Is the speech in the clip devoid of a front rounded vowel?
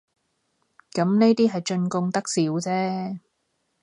yes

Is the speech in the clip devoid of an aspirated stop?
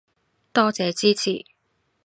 no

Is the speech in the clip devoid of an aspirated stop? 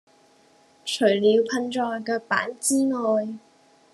no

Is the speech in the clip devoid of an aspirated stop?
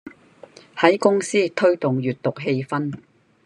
no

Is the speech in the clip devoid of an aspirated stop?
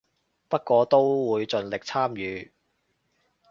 no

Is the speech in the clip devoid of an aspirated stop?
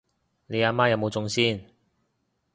yes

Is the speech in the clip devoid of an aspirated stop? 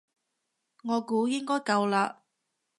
yes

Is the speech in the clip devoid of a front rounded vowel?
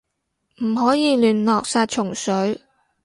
no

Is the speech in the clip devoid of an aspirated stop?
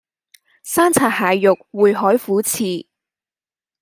no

